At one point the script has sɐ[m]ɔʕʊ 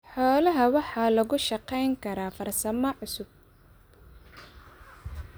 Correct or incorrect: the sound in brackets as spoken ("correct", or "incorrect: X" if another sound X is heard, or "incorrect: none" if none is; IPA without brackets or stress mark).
correct